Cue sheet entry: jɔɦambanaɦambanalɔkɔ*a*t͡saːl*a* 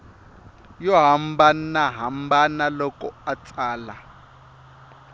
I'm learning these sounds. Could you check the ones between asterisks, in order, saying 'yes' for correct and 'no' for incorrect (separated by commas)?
yes, yes